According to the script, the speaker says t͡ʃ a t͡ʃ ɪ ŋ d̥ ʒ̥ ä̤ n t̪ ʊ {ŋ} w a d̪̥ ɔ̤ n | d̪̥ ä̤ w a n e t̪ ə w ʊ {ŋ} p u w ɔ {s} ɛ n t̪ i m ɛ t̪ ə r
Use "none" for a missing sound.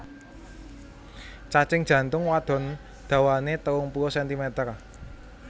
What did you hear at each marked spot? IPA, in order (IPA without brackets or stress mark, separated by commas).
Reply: ŋ, ŋ, s